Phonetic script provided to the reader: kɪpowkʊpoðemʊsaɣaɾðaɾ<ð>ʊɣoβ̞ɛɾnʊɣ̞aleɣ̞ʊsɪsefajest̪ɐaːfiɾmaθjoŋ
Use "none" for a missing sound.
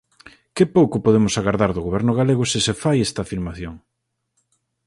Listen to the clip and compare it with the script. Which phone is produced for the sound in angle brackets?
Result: ð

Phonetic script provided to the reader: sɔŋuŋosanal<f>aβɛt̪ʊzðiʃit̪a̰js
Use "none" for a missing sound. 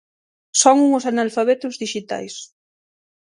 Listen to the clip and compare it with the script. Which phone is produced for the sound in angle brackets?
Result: f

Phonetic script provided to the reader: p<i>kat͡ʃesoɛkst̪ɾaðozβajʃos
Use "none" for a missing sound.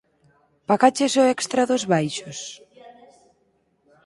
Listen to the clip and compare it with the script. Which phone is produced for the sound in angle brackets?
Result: a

